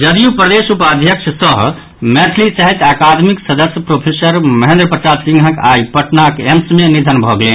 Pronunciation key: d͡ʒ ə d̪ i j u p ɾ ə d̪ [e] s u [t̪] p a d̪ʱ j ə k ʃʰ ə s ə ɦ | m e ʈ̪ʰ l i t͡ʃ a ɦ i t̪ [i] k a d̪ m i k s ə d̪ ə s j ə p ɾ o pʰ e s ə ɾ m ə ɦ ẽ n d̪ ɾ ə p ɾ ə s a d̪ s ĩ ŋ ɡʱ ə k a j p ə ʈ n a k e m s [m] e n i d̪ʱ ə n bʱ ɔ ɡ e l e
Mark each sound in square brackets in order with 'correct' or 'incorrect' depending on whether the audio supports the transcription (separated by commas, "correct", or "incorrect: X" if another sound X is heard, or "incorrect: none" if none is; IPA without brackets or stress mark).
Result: correct, incorrect: none, incorrect: a, correct